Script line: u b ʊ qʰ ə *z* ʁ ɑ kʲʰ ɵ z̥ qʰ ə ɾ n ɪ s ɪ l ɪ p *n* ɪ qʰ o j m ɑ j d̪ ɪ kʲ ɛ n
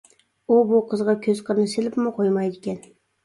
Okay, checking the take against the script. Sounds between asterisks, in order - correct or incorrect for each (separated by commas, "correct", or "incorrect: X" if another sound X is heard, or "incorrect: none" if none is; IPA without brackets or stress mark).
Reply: correct, incorrect: m